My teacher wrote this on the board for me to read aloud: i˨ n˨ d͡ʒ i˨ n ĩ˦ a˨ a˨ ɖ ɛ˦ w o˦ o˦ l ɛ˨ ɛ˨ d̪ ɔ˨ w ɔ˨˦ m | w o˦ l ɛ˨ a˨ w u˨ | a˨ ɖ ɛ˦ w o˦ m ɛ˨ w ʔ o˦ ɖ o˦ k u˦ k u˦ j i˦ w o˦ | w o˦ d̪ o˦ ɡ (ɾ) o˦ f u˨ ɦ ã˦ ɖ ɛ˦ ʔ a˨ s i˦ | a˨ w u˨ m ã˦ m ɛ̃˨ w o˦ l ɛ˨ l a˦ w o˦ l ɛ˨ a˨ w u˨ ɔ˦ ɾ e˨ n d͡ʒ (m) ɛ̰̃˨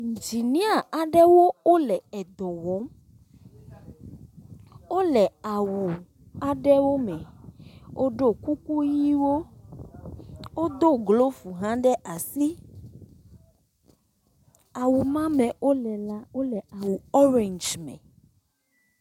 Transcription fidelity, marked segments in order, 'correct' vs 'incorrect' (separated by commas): incorrect, correct